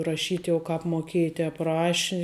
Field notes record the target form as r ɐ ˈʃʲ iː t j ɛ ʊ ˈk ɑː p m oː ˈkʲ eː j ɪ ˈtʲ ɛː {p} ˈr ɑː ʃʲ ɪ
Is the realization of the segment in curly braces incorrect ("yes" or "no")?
no